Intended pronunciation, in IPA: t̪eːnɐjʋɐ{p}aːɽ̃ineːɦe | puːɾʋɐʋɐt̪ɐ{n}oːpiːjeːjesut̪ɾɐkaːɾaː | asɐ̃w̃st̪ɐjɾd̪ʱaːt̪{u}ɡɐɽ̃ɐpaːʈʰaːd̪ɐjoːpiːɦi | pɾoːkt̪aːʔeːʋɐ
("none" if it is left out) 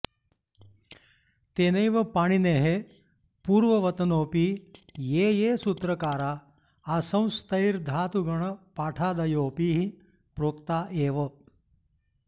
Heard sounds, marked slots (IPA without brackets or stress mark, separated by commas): p, n, u